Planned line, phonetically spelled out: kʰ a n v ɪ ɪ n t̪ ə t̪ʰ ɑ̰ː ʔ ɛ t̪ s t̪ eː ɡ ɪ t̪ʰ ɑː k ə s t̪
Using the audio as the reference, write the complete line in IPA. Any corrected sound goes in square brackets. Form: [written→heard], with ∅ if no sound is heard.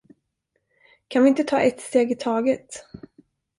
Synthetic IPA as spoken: kʰ a n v ɪ ɪ n t̪ ə t̪ʰ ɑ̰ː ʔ ɛ t̪ s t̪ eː ɡ ɪ t̪ʰ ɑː [k→ɡ] ə [s→∅] t̪